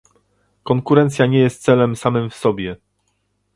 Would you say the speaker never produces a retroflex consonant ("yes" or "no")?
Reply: yes